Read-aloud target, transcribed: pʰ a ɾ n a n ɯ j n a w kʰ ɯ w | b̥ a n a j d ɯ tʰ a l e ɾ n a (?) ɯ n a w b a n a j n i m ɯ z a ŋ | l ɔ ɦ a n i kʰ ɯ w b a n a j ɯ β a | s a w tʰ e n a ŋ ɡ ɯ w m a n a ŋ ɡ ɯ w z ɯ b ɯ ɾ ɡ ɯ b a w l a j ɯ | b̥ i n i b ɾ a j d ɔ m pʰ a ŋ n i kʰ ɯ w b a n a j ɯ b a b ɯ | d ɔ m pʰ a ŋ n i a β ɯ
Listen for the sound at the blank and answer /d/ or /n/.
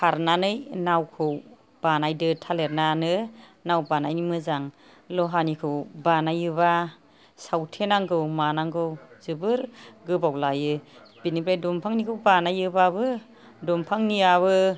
n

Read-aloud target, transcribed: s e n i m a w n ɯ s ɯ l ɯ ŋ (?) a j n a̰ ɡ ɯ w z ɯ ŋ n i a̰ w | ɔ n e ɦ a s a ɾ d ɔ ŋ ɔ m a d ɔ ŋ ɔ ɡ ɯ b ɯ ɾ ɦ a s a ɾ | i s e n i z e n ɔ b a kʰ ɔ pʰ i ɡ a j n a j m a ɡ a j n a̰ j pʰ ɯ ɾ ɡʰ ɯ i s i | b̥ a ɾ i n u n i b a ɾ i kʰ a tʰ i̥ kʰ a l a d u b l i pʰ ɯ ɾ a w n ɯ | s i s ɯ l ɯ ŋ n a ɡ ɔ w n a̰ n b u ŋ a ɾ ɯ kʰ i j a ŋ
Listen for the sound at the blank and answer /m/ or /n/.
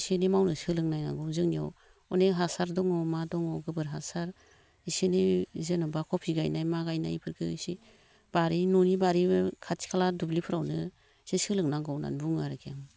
n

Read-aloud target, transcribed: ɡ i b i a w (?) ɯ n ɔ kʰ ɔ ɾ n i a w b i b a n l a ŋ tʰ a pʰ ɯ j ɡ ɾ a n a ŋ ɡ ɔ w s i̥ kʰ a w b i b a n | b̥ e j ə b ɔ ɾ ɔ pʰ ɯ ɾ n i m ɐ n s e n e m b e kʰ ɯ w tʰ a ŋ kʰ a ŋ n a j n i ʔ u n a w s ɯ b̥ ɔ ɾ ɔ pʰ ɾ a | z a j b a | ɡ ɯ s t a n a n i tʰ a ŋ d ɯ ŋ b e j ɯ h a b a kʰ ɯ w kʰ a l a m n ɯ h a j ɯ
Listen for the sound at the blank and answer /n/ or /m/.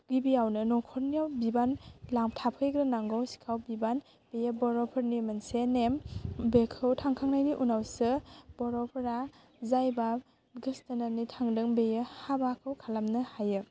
n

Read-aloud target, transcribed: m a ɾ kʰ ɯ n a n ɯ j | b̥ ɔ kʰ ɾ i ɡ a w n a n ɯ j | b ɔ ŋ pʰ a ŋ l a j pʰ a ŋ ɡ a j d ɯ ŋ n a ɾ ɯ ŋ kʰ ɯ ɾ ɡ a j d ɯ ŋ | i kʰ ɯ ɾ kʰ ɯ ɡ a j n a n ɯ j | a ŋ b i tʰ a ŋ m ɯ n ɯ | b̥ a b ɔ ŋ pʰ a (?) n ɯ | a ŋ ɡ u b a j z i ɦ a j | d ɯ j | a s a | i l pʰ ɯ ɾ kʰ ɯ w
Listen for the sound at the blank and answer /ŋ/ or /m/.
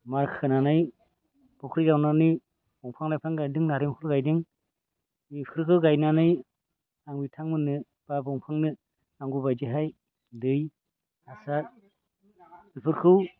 ŋ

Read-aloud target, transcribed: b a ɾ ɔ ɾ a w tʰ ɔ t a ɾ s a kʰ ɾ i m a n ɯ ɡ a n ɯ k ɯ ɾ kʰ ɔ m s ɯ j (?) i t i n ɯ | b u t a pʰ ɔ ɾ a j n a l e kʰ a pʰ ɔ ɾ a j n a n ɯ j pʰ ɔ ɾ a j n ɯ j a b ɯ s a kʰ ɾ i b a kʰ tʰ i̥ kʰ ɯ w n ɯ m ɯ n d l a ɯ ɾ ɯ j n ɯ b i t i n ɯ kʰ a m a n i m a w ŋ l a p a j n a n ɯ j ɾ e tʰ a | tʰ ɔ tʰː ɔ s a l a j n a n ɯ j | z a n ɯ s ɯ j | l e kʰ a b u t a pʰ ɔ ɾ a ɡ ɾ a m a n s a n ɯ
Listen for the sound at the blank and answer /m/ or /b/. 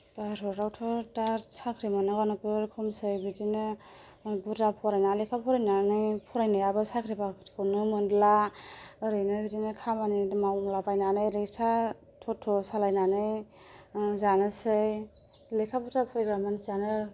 b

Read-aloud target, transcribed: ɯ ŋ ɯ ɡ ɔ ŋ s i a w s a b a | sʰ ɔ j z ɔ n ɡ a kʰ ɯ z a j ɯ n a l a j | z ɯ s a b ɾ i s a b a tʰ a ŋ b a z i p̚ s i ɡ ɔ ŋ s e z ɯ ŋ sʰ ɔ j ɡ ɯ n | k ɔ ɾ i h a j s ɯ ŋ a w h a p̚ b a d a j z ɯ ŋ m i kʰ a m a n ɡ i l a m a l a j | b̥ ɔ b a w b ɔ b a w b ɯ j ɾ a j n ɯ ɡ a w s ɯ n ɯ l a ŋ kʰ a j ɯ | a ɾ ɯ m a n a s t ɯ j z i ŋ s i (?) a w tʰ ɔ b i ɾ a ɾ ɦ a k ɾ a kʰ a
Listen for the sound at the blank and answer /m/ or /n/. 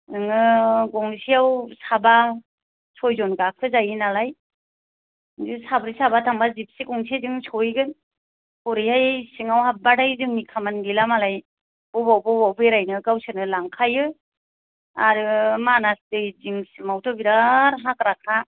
m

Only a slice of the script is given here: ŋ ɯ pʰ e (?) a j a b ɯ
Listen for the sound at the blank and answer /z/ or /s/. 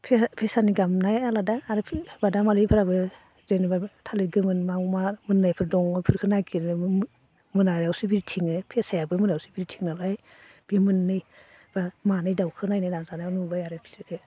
s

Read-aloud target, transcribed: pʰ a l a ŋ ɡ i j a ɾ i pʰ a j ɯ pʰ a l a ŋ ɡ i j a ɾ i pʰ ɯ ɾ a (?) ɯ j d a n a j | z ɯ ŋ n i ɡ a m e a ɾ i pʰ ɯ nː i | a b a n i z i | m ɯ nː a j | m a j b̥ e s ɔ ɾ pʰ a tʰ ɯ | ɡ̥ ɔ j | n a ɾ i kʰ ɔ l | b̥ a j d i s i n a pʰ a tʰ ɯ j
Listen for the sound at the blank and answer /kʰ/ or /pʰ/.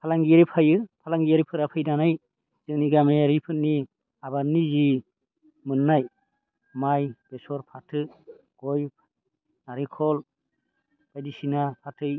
pʰ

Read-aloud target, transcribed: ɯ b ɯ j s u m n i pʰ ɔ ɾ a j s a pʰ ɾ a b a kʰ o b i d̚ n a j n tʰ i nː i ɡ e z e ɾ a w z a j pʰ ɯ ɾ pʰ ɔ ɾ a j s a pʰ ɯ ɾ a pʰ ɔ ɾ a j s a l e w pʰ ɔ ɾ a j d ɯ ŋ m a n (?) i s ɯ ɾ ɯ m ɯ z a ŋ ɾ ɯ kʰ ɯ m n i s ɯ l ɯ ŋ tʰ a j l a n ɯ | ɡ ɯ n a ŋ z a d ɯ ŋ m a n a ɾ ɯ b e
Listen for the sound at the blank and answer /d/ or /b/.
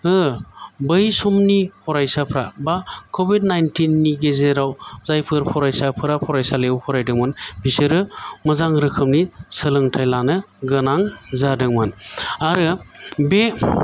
b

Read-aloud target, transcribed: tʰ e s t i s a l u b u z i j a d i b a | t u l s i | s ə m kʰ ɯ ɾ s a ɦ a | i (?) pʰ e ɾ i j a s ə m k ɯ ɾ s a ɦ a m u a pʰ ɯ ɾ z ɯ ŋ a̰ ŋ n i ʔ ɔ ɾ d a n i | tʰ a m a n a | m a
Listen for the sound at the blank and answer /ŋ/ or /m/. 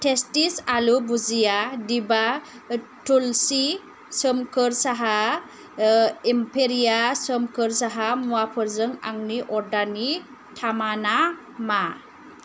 m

